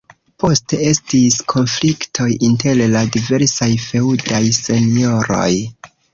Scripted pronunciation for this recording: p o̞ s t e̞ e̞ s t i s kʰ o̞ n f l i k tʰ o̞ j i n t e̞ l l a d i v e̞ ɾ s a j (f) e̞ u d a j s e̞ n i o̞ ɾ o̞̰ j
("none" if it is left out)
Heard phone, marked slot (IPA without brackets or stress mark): f